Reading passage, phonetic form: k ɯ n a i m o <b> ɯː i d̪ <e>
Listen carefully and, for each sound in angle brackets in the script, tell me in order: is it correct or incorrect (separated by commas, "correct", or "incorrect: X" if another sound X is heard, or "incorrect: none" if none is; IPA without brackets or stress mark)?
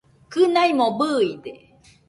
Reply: correct, correct